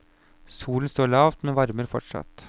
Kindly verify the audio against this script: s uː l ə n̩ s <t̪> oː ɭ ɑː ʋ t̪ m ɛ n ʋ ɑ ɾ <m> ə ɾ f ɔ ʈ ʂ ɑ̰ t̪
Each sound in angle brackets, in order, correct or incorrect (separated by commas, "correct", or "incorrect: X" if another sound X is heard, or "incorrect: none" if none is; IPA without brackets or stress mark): correct, correct